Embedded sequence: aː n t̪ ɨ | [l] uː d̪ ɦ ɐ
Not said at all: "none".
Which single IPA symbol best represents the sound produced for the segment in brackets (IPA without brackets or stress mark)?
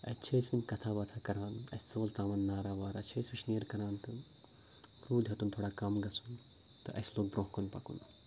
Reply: ɾ